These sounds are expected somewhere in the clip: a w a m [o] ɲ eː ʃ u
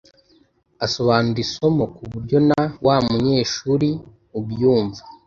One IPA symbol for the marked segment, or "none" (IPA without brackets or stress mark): u